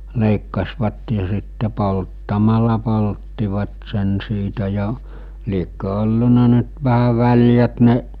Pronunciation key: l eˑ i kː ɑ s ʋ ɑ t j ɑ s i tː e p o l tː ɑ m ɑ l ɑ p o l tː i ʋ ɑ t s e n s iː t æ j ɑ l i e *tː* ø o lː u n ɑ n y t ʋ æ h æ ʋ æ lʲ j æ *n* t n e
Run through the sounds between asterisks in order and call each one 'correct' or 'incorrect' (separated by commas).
incorrect, incorrect